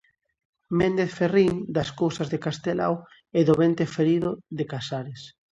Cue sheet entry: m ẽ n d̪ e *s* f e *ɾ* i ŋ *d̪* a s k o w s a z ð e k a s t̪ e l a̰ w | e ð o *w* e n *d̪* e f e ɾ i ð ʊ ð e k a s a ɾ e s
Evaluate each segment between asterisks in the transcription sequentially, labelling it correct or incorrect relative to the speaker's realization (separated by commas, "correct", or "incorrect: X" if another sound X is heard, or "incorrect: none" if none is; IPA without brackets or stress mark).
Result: incorrect: θ, incorrect: r, correct, incorrect: β, incorrect: t̪